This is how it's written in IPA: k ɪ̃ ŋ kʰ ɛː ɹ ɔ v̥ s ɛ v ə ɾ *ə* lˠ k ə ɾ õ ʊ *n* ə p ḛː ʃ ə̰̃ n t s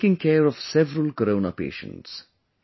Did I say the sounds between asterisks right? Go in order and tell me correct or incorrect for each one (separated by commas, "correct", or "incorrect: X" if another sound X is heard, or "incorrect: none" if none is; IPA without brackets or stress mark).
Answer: correct, correct